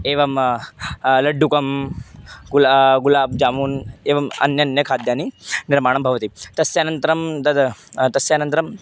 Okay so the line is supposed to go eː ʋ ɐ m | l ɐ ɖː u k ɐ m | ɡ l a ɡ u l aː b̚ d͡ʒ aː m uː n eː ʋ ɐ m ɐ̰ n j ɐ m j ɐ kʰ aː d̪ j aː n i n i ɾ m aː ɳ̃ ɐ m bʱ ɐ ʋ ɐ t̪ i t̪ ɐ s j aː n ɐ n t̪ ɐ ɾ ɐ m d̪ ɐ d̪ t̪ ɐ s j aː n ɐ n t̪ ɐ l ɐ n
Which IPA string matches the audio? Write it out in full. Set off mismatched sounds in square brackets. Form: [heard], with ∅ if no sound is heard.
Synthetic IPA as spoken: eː ʋ ɐ m | l ɐ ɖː u k ɐ m | ɡ l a ɡ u l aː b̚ d͡ʒ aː m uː n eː ʋ ɐ m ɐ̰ n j ɐ [n] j ɐ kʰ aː d̪ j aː n i n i ɾ m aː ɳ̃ ɐ m bʱ ɐ ʋ ɐ t̪ i t̪ ɐ s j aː n ɐ n t̪ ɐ ɾ ɐ m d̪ ɐ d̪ t̪ ɐ s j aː n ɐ n t̪ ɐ [ɾ] ɐ [m]